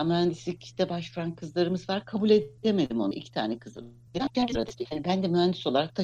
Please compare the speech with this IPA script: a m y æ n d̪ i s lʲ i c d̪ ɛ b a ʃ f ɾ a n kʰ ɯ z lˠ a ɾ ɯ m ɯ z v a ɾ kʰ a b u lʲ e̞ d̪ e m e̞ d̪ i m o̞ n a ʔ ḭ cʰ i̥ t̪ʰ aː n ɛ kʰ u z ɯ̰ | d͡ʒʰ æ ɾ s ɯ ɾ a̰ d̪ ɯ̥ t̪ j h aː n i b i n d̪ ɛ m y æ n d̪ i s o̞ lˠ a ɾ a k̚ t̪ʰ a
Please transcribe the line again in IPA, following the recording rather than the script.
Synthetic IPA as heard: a m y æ n d̪ i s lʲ i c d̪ ɛ b a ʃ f ɾ a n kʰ ɯ z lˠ a ɾ ɯ m ɯ z v a ɾ kʰ a b u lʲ e̞ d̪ e m e̞ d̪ i m o̞ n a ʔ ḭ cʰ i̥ t̪ʰ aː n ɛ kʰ ɯ z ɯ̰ | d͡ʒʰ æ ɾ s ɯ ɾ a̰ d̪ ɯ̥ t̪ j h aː n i b æ n d̪ ɛ m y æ n d̪ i s o̞ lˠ a ɾ a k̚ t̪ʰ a